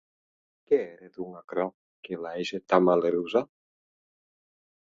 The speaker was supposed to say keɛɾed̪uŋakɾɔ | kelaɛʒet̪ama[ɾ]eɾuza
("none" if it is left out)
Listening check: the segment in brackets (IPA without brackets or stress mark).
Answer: l